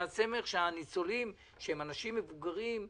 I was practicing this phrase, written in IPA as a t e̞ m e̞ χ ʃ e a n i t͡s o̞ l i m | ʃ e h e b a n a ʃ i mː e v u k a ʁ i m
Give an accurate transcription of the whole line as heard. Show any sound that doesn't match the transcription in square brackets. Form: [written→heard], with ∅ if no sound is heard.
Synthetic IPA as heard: a [t→t͡s] e̞ m e̞ χ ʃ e a n i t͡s o̞ l i m | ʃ e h e [b→m] a n a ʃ i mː e v u [k→ɡ] a ʁ i m